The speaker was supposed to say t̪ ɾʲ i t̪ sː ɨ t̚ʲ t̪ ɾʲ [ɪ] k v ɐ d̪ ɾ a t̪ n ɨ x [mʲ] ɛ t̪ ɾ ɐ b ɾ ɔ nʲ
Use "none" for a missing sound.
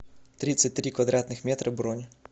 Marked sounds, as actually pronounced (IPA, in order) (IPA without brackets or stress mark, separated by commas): i, mʲ